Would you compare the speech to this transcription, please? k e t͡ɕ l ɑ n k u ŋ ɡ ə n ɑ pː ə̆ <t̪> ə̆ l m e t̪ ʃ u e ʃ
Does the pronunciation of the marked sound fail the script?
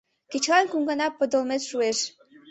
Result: yes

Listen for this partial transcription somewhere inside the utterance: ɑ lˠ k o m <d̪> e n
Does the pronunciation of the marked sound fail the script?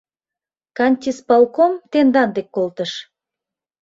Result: yes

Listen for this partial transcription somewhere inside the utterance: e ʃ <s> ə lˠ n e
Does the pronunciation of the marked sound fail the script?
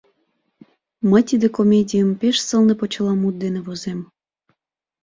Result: no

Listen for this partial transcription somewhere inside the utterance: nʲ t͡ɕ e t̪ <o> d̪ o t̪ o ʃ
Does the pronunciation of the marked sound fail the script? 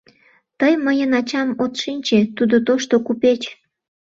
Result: yes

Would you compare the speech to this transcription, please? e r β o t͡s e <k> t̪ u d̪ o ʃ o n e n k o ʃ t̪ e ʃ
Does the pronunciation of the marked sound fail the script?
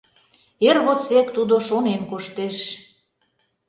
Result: no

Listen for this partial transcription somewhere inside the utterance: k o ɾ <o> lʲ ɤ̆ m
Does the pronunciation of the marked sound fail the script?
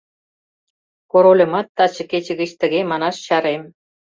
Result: no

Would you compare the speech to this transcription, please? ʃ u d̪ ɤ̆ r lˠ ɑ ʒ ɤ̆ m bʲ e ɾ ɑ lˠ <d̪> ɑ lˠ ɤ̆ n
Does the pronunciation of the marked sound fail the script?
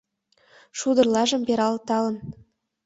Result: yes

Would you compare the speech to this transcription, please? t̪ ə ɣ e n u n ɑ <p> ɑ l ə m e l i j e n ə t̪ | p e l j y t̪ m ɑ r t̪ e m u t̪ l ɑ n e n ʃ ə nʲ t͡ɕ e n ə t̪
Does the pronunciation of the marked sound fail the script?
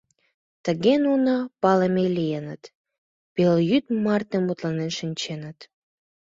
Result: no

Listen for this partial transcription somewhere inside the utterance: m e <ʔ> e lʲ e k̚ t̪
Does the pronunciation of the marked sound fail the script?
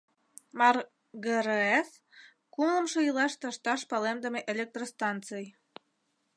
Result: no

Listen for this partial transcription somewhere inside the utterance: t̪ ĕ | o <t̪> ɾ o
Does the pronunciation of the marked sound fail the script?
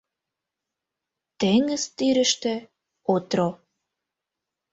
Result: no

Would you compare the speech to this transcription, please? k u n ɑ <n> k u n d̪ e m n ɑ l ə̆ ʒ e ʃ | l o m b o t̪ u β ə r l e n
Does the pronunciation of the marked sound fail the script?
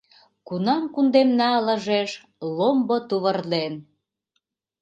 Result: yes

